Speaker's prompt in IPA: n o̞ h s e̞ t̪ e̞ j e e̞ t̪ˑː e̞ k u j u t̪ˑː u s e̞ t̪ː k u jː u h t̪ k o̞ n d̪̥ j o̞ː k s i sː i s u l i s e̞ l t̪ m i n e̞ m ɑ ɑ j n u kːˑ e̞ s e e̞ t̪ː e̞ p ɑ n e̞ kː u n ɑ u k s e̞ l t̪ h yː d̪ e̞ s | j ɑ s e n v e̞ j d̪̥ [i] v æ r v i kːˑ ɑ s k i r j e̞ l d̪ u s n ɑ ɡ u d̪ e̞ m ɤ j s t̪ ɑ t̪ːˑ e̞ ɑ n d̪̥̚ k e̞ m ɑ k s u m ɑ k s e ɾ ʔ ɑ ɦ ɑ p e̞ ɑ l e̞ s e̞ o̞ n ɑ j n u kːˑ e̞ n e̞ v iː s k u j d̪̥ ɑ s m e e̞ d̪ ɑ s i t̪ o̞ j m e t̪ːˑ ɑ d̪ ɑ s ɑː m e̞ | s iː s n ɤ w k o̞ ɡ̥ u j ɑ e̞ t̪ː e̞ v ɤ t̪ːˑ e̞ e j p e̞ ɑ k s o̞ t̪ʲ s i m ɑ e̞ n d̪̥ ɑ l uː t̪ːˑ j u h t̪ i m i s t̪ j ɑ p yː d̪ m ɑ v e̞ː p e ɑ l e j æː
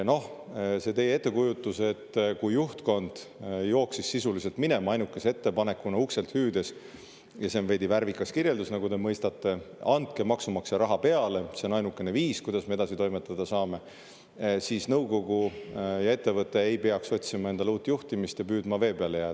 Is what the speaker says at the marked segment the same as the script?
yes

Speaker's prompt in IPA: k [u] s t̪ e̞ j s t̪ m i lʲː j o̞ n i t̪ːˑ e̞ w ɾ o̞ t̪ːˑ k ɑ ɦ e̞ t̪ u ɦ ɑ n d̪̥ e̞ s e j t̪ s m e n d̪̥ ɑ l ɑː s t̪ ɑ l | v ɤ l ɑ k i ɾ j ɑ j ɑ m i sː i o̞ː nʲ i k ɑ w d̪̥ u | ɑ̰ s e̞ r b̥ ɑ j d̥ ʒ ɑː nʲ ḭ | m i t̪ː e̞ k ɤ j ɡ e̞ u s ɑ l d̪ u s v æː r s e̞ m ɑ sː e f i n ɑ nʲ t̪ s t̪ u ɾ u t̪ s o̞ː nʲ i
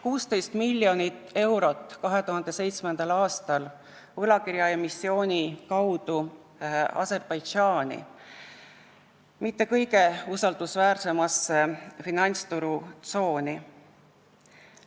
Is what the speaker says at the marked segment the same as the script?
no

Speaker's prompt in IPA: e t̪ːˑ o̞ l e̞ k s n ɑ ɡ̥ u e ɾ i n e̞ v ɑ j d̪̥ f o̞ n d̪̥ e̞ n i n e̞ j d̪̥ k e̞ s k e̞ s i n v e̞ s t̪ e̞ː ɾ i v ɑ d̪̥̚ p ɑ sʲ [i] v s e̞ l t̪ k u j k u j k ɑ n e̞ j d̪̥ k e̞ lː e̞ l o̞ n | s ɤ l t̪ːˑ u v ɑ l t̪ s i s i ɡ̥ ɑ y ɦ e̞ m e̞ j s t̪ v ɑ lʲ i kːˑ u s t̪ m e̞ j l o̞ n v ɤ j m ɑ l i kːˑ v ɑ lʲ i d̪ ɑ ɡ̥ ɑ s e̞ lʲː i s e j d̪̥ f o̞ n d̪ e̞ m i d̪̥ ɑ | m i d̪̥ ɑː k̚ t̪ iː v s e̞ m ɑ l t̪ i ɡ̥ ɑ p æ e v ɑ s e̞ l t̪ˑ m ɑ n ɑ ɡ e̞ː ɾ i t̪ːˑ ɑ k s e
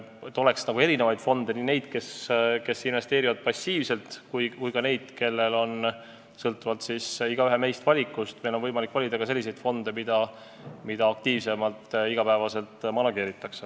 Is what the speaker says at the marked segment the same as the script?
no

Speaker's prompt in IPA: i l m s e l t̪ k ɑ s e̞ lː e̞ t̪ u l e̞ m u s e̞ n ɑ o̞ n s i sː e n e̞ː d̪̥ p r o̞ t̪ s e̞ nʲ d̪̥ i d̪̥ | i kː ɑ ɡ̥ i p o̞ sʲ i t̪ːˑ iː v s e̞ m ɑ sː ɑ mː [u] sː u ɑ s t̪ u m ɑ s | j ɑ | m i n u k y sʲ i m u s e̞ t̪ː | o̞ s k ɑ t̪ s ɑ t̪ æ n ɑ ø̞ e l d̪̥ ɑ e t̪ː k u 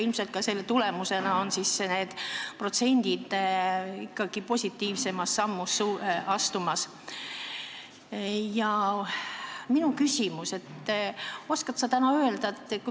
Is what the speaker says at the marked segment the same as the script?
yes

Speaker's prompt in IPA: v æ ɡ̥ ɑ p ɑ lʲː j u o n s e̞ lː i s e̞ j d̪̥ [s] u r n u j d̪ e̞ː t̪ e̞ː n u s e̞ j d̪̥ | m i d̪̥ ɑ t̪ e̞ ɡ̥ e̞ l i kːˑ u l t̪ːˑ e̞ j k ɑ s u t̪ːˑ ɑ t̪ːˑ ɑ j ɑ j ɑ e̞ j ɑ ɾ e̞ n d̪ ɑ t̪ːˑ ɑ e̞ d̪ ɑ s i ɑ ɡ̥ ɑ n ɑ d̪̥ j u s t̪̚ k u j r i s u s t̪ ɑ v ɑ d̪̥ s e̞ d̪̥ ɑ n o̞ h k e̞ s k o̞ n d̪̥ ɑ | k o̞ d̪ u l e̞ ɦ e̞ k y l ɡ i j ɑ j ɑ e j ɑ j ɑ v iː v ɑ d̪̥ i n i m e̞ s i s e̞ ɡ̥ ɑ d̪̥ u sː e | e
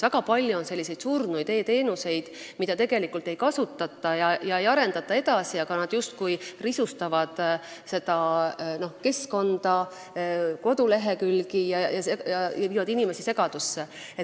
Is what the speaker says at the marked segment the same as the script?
yes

